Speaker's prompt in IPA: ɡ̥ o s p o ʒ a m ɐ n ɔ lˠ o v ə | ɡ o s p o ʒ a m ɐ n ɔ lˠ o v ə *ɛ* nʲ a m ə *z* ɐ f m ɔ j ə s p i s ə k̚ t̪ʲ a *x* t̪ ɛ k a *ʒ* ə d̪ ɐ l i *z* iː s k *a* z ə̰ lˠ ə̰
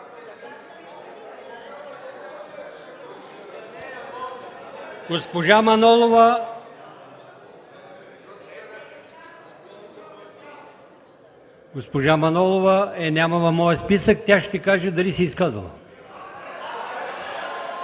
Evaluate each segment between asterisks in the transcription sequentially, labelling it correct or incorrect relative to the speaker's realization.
correct, incorrect: v, incorrect: ʃ, correct, incorrect: s, correct

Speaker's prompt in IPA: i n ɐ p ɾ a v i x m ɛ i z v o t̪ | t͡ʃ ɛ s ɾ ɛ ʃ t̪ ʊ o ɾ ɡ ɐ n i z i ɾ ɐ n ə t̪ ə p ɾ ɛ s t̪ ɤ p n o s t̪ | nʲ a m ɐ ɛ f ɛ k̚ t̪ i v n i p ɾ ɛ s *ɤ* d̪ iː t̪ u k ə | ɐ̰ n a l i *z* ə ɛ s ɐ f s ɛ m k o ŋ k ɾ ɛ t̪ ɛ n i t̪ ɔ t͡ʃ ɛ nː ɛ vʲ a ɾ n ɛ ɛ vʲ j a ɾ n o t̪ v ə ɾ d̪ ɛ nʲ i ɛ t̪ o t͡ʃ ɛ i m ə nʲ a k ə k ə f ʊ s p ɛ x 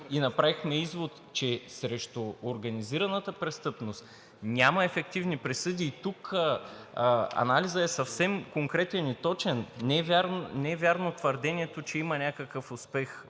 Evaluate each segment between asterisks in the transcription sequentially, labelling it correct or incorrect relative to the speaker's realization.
correct, correct

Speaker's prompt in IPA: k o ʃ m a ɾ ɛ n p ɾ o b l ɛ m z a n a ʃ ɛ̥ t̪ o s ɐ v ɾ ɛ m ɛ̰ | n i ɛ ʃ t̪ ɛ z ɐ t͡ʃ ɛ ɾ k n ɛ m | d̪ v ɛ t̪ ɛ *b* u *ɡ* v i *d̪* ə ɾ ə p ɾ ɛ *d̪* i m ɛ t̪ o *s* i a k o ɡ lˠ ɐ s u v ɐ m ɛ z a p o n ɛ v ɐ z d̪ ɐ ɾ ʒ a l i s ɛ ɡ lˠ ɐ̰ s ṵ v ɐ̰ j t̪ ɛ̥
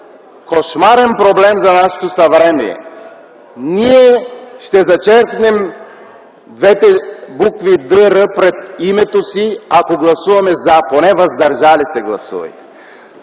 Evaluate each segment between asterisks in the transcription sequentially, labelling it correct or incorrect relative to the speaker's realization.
correct, incorrect: k, correct, incorrect: t̪, correct

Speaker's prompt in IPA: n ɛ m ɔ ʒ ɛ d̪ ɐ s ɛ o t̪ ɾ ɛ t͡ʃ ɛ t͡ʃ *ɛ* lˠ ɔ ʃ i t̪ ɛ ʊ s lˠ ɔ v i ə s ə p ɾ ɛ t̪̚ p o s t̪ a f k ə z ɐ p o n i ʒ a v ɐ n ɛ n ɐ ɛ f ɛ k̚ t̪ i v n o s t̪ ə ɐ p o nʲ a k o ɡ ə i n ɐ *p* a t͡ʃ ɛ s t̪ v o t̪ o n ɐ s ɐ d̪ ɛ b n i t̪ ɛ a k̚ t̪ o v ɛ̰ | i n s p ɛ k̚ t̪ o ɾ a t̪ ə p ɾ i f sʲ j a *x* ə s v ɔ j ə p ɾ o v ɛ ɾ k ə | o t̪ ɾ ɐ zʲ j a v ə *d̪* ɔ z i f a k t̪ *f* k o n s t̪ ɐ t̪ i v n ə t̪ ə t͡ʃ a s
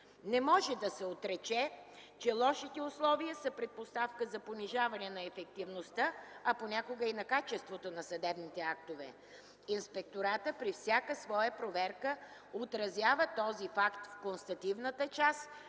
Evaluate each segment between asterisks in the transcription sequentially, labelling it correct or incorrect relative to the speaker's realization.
correct, incorrect: k, incorrect: k, incorrect: t̪, correct

